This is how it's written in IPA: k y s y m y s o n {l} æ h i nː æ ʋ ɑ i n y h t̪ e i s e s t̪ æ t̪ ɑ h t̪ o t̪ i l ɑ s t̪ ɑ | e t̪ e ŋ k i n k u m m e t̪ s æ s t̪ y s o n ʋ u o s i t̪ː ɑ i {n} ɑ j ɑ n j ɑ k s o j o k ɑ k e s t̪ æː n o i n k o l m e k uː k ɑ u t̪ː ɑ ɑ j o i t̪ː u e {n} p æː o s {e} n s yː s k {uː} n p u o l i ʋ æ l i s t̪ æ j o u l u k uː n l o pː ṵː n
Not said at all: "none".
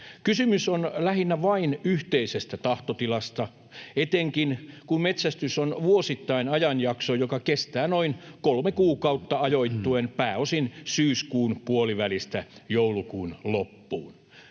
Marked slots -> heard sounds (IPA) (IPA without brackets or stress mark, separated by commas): l, n, n, i, uː